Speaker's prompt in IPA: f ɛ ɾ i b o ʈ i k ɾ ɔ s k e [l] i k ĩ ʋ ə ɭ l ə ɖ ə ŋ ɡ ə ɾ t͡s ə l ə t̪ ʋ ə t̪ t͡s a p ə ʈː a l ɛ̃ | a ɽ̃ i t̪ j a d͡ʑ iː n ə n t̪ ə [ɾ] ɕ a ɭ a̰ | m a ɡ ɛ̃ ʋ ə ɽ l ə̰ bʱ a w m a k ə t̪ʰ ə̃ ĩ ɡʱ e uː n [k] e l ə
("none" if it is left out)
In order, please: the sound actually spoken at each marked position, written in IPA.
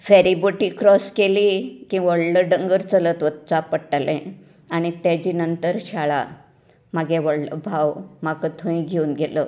l, ɾ, ɡ

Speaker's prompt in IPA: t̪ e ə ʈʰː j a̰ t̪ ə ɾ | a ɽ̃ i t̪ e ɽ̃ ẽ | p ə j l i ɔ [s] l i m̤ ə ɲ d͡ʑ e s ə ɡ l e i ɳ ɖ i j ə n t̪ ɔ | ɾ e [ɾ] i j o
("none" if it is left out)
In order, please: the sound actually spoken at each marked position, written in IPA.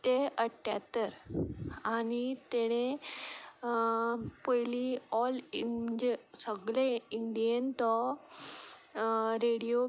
none, ɽ

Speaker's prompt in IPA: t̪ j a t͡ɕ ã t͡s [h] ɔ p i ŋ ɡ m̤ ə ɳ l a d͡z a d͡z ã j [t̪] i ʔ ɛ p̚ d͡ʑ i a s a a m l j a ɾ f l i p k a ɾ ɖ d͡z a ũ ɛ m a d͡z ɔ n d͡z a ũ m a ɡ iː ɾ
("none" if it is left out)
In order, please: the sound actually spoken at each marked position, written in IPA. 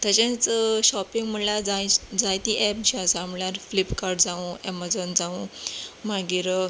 ɕ, t̪

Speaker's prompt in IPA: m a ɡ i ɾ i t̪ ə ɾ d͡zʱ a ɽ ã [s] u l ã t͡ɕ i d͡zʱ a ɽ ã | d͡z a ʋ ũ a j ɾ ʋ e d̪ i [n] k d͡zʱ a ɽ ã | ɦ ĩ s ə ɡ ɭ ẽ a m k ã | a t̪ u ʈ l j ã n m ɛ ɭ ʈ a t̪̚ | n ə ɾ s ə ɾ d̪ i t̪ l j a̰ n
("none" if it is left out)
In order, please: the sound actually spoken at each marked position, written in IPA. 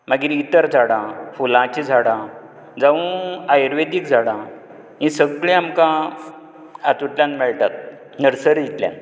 f, none

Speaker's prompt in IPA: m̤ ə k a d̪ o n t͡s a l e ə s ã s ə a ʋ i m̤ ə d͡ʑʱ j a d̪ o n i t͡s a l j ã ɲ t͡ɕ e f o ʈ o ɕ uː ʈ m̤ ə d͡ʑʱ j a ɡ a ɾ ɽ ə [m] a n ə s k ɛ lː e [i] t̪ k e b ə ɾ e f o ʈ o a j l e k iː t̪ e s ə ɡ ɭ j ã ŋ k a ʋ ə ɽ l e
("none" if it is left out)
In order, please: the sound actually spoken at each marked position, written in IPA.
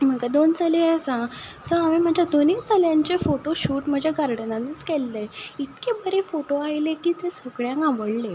n, i

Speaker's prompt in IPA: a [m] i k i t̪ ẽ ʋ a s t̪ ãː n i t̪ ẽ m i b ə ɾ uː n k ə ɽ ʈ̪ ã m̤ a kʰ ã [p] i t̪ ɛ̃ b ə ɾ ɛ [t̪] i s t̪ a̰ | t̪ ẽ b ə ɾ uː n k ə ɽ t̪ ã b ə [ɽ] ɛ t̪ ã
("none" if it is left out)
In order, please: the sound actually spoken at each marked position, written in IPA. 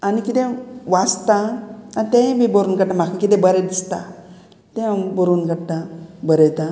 n, k, d̪, ɾ

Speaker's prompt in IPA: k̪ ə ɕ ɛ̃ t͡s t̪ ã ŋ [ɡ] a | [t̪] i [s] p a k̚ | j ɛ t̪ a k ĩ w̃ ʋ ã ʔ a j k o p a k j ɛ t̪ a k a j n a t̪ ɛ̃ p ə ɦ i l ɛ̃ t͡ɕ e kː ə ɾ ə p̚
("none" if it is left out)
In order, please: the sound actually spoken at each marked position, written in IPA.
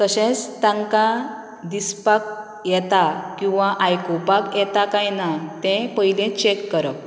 k, d̪, s

